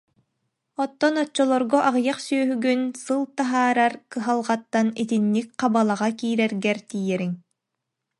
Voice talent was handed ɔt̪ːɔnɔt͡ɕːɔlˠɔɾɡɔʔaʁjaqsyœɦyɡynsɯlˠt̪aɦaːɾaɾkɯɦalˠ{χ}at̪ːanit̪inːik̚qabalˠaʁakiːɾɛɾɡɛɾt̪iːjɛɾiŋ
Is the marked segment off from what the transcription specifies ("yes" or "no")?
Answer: yes